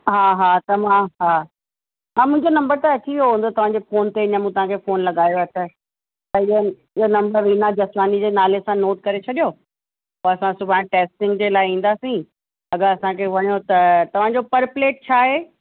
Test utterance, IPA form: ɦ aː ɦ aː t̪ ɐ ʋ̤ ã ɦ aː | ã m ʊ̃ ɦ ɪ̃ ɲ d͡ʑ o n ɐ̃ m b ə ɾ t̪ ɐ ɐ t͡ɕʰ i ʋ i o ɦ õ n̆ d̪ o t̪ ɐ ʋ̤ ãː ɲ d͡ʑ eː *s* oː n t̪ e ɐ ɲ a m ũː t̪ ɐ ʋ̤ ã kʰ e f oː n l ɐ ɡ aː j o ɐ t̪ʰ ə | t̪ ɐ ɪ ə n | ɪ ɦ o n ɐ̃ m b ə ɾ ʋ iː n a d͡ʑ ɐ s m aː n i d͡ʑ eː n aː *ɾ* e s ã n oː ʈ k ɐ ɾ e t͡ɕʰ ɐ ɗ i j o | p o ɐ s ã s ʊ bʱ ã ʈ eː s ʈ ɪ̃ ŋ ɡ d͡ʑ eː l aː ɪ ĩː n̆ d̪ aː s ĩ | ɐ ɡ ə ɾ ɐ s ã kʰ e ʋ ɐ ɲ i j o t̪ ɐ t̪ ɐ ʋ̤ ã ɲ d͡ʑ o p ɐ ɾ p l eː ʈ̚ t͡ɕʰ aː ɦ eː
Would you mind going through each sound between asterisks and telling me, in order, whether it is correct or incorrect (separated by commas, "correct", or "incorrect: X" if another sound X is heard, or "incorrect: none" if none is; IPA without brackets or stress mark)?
incorrect: f, incorrect: l